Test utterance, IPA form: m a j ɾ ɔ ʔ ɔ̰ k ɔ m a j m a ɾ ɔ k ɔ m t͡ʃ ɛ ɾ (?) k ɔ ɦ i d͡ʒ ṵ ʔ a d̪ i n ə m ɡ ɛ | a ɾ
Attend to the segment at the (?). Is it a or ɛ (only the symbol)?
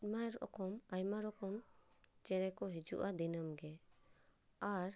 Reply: ɛ